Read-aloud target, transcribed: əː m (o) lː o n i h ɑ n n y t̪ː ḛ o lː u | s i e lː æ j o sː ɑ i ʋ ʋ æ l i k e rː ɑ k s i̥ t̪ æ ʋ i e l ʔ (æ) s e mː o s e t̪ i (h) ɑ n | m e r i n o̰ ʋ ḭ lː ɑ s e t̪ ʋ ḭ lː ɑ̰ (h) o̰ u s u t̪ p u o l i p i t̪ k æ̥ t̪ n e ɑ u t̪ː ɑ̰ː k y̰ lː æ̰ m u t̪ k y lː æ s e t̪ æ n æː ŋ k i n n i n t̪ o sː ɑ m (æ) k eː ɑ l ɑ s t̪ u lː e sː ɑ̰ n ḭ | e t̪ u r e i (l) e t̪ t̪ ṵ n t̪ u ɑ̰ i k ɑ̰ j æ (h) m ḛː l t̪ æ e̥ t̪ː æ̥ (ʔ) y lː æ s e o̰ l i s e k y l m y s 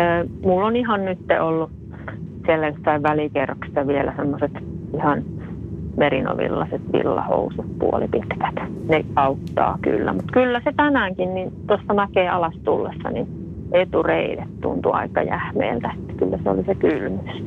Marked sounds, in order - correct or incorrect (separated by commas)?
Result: incorrect, correct, correct, correct, correct, correct, correct, incorrect